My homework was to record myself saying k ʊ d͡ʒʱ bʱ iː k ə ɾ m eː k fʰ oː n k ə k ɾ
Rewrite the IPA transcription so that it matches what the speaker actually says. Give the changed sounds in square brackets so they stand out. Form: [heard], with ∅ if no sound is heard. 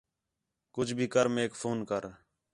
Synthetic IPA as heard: k ʊ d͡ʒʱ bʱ iː k ə ɾ m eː k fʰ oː n k ə [∅] ɾ